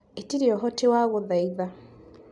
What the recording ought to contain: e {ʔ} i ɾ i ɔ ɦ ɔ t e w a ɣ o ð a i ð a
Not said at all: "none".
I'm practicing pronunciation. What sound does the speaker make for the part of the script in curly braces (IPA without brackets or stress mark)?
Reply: t